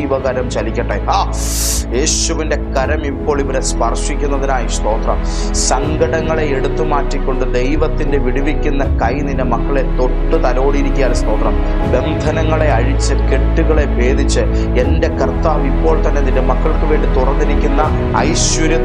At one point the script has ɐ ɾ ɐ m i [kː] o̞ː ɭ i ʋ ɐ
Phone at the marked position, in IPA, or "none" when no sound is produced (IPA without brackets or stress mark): pː